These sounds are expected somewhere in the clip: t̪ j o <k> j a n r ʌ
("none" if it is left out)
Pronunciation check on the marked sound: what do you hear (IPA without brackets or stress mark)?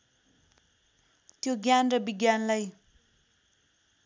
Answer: ɡ